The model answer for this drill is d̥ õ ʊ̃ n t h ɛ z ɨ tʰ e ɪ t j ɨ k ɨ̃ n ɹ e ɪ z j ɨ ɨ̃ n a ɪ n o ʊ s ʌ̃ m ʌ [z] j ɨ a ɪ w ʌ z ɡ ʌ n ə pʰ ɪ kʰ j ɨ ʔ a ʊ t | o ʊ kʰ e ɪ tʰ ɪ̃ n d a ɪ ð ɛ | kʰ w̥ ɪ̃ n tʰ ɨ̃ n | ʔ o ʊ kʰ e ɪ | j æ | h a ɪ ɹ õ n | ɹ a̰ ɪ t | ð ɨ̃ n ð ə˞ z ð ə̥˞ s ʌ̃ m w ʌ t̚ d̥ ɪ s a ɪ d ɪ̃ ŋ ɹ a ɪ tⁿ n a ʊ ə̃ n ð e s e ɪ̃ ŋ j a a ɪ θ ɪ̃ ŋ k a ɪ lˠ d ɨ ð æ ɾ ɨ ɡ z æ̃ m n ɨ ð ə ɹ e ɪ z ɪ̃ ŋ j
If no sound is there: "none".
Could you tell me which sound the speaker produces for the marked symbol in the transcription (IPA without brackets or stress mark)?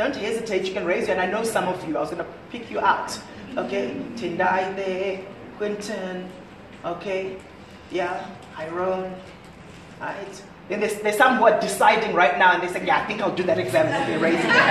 v